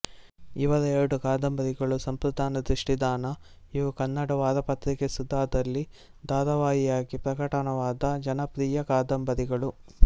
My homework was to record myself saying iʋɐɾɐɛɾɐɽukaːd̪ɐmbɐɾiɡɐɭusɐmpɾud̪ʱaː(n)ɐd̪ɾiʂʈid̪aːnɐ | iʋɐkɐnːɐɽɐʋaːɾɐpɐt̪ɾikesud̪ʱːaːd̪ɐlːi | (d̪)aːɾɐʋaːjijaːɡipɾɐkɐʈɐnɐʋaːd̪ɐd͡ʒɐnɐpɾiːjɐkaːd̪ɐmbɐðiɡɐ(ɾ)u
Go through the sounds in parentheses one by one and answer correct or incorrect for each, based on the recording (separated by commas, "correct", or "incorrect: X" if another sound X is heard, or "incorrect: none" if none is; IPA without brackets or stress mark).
correct, correct, incorrect: ɭ